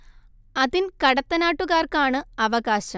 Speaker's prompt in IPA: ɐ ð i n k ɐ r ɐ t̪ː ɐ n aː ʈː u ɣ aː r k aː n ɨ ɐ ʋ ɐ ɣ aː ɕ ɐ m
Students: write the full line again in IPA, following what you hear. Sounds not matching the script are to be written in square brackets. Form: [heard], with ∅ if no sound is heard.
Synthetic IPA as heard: ɐ ð i n k ɐ [ɽ] ɐ t̪ː ɐ n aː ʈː u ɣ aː r k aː [ɳ] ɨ ɐ ʋ ɐ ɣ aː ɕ ɐ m